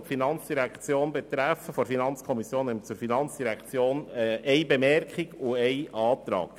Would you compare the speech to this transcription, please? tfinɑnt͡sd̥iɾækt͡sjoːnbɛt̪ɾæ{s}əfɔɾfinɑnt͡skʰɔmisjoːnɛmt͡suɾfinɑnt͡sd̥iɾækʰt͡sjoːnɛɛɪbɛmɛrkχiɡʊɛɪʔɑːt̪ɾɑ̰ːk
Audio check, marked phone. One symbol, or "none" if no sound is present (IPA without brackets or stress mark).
f